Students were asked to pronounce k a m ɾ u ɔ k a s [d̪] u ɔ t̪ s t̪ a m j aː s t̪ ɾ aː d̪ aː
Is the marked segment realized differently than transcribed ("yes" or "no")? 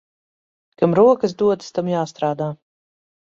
no